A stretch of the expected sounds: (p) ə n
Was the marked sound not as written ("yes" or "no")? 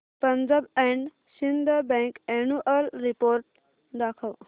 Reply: no